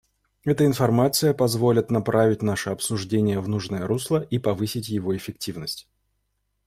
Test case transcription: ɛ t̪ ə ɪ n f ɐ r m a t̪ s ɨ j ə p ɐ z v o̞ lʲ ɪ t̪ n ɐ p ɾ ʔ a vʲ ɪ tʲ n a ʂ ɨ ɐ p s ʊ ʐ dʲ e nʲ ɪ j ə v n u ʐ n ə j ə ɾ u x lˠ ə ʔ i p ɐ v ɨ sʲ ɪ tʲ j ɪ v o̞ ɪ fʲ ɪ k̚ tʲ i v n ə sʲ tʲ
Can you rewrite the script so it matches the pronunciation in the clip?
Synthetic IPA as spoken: ɛ t̪ ə ɪ n f ɐ r m a t̪ s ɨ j ə p ɐ z v o̞ lʲ ɪ t̪ n ɐ p ɾ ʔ a vʲ ɪ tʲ n a ʂ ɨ ɐ p s ʊ ʐ dʲ e nʲ ɪ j ə v n u ʐ n ə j ə ɾ u s lˠ ə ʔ i p ɐ v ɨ sʲ ɪ tʲ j ɪ v o̞ ɪ fʲ ɪ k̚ tʲ i v n ə sʲ tʲ